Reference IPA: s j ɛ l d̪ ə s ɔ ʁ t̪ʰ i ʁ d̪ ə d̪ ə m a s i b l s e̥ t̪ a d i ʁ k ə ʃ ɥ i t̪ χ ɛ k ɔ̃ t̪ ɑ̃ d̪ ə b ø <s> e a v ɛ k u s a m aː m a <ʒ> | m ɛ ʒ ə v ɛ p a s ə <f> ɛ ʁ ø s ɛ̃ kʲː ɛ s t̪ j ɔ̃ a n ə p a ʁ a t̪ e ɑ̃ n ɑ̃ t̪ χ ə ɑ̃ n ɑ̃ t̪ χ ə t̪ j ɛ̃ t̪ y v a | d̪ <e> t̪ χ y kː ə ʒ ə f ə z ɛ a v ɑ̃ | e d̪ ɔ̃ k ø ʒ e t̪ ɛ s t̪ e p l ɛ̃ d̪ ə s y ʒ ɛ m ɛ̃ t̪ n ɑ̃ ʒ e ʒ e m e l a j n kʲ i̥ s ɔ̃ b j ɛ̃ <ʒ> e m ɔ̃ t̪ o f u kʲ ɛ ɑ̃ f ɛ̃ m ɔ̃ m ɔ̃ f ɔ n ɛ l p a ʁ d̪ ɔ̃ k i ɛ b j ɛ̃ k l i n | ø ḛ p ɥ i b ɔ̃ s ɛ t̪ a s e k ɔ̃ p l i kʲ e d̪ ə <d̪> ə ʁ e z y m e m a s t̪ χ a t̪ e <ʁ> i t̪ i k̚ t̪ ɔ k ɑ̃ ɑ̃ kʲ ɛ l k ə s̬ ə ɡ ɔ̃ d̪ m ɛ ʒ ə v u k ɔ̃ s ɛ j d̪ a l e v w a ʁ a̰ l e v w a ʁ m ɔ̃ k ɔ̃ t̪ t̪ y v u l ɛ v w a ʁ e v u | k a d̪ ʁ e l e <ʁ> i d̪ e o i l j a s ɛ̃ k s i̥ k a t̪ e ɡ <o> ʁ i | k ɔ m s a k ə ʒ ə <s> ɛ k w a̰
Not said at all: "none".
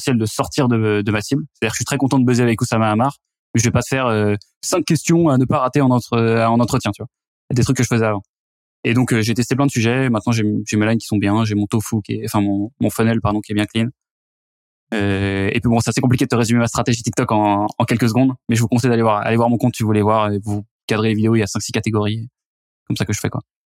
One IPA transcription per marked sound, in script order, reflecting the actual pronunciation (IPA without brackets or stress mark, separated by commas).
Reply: z, ʁ, f, e, ʒ, t̪, ʒ, v, ɔ, f